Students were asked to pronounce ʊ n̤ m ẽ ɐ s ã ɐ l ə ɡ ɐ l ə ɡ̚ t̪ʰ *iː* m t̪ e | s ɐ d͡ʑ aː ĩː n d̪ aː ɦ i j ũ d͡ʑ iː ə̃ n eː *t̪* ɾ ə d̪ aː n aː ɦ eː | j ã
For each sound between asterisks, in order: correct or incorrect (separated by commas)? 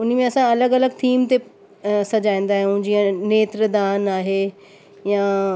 correct, correct